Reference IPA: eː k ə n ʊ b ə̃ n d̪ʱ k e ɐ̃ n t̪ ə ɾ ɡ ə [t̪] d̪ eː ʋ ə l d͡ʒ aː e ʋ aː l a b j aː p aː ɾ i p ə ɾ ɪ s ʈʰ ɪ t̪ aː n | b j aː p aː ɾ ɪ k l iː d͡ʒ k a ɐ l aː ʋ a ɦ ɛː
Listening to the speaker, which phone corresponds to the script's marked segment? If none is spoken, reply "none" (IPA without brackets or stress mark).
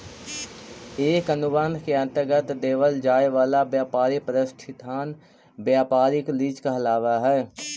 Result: t̪